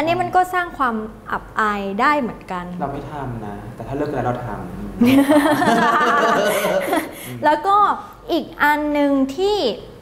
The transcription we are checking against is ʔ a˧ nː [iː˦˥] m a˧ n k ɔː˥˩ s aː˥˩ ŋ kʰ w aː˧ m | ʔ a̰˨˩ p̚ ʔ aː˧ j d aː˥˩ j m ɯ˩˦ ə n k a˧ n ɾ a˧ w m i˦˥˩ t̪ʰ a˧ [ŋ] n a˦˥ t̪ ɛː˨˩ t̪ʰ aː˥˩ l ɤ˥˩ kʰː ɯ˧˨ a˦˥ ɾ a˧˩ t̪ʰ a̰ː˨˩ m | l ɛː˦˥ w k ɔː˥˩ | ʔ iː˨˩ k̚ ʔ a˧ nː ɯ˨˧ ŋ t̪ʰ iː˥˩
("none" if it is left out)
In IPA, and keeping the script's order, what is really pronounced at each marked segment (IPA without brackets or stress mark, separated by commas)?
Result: i˦˥, m